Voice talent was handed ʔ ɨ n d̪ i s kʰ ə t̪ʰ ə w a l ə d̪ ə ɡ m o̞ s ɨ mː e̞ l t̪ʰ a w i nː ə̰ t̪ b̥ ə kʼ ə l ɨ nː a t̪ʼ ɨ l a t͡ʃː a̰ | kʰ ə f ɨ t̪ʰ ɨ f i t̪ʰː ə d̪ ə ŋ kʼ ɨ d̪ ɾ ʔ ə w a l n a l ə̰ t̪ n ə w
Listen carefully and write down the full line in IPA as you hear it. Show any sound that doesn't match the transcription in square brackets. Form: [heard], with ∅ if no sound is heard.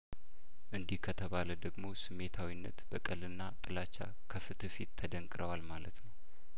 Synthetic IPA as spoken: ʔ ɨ n d̪ i [h] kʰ ə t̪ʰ ə [β] a l ə d̪ ə ɡ m o̞ s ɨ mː e̞ [∅] t̪ʰ a w i nː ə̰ t̪ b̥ ə kʼ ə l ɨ nː a t̪ʼ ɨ l a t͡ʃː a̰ | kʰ ə f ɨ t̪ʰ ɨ f i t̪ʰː ə d̪ ə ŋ kʼ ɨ [∅] ɾ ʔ ə w a l [m] a l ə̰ t̪ n ə w